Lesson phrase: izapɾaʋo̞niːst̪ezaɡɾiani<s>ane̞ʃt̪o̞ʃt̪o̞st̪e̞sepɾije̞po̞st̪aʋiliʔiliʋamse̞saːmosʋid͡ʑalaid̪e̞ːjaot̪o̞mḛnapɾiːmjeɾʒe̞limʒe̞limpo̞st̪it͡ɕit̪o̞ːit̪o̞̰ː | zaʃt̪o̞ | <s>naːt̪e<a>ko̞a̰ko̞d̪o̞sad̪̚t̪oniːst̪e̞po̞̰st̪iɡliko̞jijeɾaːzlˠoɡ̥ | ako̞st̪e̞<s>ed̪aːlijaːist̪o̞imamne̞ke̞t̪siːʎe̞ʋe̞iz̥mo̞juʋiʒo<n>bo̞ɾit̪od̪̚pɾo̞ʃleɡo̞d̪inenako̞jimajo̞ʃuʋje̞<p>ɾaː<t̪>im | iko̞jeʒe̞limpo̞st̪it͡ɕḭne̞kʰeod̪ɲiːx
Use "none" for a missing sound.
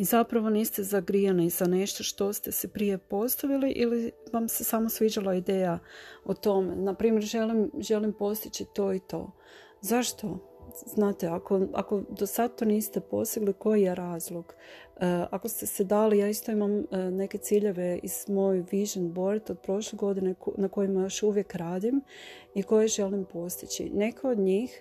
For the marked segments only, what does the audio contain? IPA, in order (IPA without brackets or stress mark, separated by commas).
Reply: z, z, a, s, n, k, d̪